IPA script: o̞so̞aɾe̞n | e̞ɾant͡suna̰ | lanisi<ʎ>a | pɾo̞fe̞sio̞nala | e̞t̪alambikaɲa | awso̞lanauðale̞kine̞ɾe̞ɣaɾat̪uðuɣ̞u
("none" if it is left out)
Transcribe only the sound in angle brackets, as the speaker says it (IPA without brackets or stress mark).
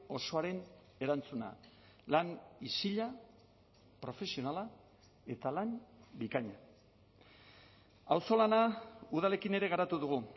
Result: ʎ